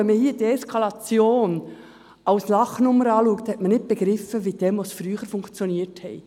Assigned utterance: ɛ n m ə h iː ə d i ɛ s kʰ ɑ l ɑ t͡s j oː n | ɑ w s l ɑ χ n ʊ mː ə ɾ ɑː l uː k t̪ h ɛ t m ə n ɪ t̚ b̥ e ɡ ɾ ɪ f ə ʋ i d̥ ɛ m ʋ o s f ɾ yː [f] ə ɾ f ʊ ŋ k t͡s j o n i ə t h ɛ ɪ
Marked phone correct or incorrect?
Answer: incorrect